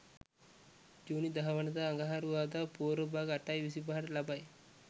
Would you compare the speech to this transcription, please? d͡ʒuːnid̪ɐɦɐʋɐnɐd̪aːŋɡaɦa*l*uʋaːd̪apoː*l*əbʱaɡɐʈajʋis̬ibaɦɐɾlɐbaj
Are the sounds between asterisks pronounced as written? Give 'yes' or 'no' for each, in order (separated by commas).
no, no